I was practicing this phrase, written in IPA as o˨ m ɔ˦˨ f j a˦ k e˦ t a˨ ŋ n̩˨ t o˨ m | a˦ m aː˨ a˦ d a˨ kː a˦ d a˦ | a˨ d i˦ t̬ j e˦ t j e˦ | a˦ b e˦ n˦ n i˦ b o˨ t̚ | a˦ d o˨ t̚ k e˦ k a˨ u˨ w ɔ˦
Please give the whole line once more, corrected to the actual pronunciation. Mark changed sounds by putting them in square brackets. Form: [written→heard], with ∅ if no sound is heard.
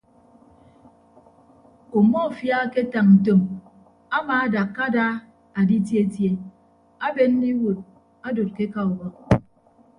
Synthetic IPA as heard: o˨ m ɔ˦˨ f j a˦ k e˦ t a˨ ŋ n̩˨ t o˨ m | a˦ m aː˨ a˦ d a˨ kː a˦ d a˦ | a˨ d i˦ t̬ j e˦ t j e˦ | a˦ b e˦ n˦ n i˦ [b→w] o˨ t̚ | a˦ d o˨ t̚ k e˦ k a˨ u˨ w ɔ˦